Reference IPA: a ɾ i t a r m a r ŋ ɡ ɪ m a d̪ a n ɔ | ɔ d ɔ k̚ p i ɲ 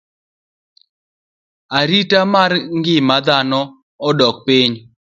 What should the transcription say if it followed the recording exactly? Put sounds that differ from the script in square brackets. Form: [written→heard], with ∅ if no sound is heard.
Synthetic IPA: a ɾ i t a [r→∅] m a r ŋ ɡ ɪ m a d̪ a n ɔ | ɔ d ɔ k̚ p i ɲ